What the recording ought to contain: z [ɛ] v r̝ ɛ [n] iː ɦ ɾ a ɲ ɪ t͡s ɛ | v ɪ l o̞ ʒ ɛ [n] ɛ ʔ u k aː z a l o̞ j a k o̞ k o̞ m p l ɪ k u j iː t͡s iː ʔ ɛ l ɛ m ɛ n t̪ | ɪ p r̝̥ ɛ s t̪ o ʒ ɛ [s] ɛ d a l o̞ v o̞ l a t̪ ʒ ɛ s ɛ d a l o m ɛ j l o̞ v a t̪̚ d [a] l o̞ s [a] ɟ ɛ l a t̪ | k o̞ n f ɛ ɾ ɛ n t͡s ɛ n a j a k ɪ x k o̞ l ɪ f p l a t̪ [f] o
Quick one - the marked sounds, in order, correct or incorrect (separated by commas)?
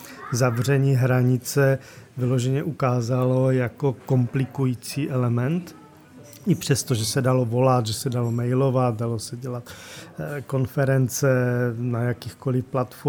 incorrect, incorrect, incorrect, correct, correct, incorrect, correct